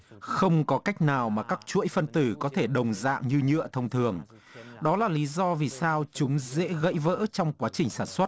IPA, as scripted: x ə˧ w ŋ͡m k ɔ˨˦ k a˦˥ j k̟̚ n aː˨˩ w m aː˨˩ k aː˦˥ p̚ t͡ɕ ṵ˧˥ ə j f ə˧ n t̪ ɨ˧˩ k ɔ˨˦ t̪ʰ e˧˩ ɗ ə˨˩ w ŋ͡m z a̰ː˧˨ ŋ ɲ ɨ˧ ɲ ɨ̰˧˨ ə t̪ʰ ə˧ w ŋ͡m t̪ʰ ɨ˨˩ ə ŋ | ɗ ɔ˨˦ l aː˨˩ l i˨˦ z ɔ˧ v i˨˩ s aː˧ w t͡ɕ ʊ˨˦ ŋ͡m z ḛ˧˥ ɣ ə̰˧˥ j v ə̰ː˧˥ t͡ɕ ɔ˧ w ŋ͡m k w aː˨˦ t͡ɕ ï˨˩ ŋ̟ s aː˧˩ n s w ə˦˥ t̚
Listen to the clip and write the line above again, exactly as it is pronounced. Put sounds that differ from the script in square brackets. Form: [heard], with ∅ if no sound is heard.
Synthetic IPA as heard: x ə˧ w ŋ͡m k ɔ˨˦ k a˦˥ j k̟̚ n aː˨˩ w m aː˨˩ k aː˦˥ [k̚] t͡ɕ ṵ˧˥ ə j f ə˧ n t̪ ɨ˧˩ k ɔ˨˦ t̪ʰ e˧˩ ɗ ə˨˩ w ŋ͡m z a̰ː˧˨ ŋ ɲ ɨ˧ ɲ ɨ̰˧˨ ə t̪ʰ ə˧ w ŋ͡m t̪ʰ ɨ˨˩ ə ŋ | ɗ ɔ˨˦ l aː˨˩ l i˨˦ z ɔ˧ v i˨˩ s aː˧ w t͡ɕ ʊ˨˦ ŋ͡m z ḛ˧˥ ɣ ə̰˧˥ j v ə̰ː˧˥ t͡ɕ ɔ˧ w ŋ͡m k w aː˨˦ t͡ɕ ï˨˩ ŋ̟ s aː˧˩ n s w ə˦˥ t̚

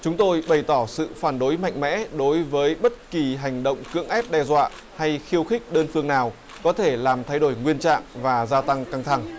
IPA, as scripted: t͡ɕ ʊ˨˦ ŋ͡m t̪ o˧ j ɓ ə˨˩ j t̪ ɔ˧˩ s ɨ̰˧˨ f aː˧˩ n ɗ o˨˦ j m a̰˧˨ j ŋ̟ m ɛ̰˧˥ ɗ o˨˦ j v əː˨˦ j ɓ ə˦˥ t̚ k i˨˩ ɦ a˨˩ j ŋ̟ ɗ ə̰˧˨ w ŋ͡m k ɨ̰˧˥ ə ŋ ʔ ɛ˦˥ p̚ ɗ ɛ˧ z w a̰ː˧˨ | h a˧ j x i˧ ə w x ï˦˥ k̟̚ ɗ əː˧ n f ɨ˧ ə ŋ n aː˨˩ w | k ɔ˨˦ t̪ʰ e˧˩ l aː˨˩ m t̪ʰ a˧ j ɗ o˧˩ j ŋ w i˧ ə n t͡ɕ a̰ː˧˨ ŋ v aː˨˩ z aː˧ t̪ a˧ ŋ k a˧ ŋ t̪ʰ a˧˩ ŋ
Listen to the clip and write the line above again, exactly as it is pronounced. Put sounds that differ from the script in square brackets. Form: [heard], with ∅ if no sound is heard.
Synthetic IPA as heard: t͡ɕ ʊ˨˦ ŋ͡m t̪ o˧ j ɓ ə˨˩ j t̪ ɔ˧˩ s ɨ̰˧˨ f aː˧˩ n ɗ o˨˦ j m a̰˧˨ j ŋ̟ m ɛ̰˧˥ ɗ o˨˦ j v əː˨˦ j ɓ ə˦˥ t̚ k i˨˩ ɦ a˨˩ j ŋ̟ ɗ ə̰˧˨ w ŋ͡m k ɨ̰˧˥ ə ŋ ʔ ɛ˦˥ p̚ ɗ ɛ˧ z w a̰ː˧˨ | h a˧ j x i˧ ə w x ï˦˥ k̟̚ ɗ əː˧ n f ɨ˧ ə ŋ n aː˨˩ w | k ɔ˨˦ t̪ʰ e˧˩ l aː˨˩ m t̪ʰ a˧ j ɗ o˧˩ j ŋ w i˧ ə n t͡ɕ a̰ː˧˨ ŋ v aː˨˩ z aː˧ t̪ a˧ ŋ k a˧ ŋ t̪ʰ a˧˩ ŋ

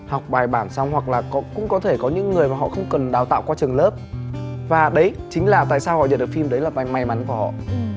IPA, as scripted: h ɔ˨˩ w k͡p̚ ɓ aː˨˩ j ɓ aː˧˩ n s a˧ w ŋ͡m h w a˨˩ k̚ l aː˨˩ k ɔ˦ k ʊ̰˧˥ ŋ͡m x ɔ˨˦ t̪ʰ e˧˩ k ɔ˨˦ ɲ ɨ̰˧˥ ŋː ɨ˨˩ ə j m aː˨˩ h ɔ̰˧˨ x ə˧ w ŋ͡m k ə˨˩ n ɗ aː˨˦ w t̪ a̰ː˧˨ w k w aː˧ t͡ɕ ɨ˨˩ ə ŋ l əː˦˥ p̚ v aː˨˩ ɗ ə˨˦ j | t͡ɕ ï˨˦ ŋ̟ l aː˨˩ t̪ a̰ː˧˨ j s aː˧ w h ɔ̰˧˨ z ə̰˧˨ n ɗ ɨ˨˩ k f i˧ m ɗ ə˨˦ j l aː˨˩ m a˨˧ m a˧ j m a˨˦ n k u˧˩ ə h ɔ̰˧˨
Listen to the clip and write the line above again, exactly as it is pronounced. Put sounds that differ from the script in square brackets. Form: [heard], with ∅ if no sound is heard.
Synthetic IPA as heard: h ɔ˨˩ w k͡p̚ ɓ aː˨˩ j ɓ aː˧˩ n s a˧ w ŋ͡m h w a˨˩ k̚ l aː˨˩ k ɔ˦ k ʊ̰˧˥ ŋ͡m [k] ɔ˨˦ t̪ʰ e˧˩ k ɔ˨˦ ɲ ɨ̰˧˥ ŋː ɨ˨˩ ə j m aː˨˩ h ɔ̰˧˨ x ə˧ w ŋ͡m k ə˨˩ n ɗ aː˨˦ w t̪ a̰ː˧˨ w k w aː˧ t͡ɕ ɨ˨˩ ə ŋ l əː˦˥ p̚ v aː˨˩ ɗ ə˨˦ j | t͡ɕ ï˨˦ ŋ̟ l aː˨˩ t̪ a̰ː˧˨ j s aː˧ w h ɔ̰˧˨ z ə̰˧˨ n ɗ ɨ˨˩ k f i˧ m ɗ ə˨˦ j l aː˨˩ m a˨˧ m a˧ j m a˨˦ n k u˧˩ ə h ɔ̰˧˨

